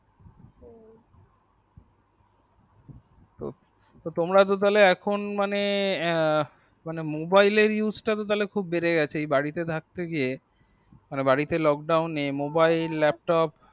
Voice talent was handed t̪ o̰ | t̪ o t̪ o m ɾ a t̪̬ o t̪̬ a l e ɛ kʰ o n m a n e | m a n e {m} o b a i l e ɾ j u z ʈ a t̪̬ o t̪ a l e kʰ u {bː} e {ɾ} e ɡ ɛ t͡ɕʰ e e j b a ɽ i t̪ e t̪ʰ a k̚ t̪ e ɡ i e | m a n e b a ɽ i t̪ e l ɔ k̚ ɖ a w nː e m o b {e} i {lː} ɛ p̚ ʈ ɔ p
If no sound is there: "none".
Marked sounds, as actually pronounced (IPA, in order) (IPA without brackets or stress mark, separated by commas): m, bː, ɾ, a, lː